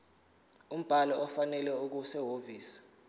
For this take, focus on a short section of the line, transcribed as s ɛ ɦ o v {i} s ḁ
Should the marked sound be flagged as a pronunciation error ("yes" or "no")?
yes